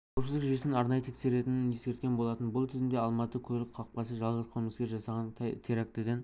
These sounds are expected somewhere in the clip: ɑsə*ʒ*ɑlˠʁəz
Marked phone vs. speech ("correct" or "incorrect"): correct